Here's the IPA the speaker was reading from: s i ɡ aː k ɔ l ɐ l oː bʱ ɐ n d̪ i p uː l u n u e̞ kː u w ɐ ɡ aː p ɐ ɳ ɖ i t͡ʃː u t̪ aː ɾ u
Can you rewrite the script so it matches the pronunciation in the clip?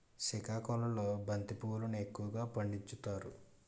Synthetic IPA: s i k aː k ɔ l ɐ l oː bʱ ɐ n t̪ i p uː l u n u e̞ kː u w ɐ ɡ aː p ɐ ɳ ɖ i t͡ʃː u t̪ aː ɾ u